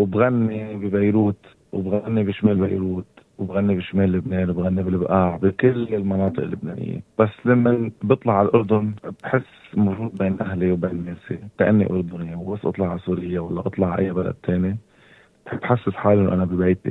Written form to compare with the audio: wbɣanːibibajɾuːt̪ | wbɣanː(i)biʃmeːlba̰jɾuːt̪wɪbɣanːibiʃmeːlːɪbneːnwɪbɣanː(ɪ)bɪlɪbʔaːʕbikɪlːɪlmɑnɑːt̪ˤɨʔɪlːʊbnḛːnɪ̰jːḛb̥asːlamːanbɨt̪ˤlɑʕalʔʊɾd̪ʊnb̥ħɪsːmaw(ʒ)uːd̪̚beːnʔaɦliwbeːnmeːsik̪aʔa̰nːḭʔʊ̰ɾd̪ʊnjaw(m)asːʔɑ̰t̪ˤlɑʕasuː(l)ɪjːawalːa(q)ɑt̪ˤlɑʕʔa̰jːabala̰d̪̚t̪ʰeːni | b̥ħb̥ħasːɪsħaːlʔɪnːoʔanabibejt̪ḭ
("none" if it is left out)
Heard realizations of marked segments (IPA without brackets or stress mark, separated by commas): i, i, ʒ, b, ɾ, ʔ